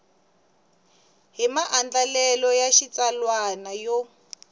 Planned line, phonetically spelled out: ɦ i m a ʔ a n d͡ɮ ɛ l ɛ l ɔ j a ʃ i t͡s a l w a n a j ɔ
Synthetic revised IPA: ɦ i m a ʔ a n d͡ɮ a l ɛ l ɔ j a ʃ i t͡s a l w a n a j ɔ